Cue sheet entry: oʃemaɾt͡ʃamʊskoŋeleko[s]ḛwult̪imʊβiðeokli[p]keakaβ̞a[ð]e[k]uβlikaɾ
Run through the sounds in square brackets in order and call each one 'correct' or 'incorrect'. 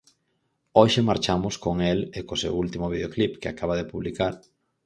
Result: correct, correct, correct, incorrect

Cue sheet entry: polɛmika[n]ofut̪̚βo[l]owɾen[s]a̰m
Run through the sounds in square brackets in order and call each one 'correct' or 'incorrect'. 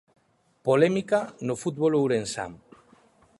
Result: correct, correct, correct

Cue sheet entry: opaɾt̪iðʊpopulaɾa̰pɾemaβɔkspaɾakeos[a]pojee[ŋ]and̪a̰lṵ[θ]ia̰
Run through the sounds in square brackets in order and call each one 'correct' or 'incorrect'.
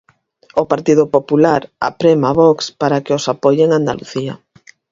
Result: correct, correct, correct

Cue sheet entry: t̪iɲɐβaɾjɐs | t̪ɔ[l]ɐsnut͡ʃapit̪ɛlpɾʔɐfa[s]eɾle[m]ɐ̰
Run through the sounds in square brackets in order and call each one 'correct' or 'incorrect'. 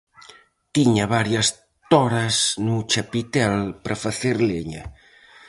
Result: incorrect, incorrect, incorrect

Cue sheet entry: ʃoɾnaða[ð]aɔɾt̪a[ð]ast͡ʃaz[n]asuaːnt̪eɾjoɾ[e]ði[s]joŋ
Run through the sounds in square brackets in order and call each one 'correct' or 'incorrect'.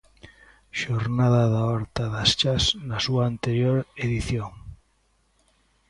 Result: correct, correct, correct, correct, incorrect

